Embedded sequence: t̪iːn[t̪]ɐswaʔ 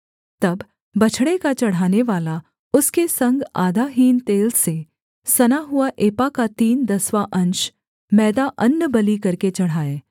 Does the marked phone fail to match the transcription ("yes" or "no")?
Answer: yes